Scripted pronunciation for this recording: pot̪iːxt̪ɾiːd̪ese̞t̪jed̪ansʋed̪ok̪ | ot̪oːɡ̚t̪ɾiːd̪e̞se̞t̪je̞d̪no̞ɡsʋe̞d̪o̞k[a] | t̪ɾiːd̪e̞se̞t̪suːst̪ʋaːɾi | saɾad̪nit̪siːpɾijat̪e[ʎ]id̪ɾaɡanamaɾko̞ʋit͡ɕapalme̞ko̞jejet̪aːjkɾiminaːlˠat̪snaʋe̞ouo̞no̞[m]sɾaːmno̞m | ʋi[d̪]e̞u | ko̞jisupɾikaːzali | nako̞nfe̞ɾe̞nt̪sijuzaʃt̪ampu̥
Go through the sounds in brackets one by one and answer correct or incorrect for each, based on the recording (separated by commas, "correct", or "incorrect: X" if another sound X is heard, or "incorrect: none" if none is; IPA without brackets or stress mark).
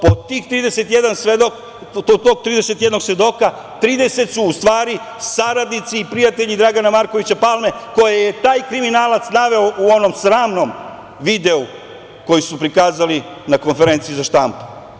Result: correct, correct, correct, correct